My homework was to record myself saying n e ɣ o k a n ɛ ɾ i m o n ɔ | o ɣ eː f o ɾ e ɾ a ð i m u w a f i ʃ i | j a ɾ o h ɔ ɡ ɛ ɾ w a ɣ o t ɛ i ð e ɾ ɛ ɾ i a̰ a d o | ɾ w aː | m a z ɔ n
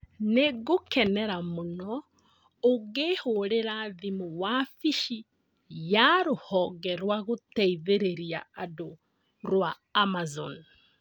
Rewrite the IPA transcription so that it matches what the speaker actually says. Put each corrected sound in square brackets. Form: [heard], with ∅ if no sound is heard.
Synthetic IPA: n e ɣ o k [ɛ] n ɛ ɾ [a] m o n ɔ | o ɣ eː [h] o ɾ e ɾ a ð i m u w a f i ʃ i | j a ɾ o h ɔ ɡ ɛ ɾ w a ɣ o t ɛ i ð e ɾ [e] ɾ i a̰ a d o | ɾ w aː | m a z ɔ n